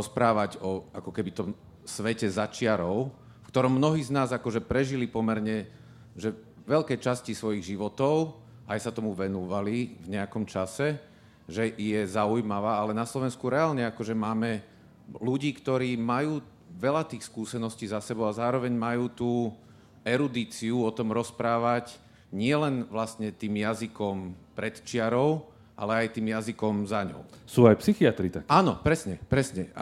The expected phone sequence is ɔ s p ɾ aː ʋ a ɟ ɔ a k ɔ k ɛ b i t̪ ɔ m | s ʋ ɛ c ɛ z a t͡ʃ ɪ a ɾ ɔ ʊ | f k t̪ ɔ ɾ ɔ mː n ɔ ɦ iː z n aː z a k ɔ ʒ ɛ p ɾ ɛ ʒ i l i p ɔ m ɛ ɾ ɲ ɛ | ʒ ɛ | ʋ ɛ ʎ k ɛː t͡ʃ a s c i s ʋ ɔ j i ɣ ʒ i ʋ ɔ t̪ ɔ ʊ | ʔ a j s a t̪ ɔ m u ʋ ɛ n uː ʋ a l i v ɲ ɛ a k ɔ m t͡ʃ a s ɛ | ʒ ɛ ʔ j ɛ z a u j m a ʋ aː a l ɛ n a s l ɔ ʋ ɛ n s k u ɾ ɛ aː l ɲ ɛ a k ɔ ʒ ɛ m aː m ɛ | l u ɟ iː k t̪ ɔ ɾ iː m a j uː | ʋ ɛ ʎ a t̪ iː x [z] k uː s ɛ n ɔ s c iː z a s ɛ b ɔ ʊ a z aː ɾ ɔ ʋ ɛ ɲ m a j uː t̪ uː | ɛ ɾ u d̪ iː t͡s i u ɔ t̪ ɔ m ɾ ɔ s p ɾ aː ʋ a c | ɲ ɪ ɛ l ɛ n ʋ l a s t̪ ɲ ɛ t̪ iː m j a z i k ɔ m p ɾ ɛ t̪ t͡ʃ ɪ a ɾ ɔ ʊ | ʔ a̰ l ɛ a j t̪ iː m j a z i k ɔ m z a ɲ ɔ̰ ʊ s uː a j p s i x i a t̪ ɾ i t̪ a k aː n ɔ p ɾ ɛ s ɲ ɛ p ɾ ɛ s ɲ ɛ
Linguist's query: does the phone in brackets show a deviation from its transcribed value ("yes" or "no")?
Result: yes